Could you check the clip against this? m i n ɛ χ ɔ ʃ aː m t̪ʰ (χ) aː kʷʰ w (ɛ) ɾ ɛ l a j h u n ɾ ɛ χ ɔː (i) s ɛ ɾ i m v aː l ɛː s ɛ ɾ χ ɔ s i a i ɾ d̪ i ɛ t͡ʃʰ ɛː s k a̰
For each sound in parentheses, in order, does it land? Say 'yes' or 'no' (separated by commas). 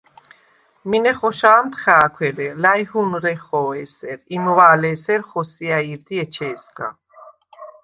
yes, yes, no